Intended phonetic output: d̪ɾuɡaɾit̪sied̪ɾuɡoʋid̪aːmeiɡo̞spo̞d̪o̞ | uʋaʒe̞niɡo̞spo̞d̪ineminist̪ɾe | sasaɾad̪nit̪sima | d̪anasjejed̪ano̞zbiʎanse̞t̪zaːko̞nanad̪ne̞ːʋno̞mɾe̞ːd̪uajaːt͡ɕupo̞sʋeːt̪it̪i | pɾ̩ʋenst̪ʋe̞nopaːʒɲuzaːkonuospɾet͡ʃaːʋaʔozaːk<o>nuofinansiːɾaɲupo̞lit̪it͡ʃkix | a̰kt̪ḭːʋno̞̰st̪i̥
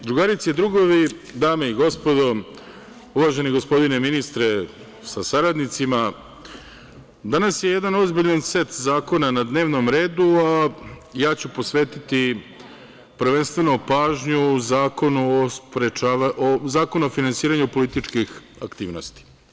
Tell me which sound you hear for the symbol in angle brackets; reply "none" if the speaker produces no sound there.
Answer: o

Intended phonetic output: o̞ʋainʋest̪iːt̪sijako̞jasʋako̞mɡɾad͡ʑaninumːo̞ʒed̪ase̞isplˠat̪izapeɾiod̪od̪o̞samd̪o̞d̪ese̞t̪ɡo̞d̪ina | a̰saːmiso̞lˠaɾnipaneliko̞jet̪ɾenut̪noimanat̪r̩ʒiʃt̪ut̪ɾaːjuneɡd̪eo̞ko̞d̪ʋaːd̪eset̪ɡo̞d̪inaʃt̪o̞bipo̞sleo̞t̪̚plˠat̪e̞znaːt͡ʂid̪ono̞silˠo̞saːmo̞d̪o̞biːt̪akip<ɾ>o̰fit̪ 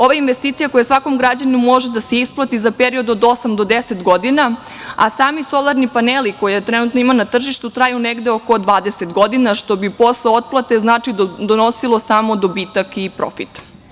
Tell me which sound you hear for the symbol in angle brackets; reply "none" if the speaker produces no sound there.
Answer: ɾ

